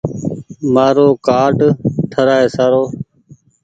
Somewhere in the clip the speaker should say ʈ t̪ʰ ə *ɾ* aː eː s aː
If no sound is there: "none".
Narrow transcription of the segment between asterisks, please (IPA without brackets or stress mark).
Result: ɾ